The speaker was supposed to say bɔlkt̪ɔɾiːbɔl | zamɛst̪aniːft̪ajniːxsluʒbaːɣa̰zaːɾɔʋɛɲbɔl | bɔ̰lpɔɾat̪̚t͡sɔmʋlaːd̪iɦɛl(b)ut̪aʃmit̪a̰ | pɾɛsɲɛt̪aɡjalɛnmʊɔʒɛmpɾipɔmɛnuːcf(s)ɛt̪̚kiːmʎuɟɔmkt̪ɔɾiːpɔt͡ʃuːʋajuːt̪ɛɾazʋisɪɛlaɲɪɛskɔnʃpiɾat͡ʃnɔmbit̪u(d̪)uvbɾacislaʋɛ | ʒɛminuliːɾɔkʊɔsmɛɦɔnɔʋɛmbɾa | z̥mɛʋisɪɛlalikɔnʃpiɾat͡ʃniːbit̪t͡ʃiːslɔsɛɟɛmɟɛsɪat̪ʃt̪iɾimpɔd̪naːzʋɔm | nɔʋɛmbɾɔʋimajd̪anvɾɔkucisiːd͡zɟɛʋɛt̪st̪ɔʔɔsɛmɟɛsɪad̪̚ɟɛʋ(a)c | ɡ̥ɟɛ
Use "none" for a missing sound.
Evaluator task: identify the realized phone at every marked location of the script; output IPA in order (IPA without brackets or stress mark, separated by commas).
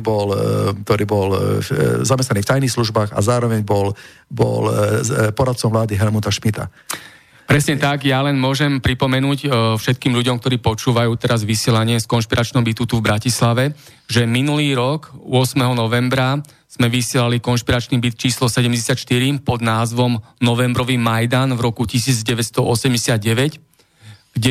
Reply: m, ʃ, t̪, ɛ